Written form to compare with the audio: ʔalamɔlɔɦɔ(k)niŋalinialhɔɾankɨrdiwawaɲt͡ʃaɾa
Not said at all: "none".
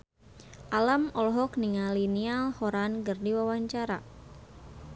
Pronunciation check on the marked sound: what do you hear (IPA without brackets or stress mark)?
k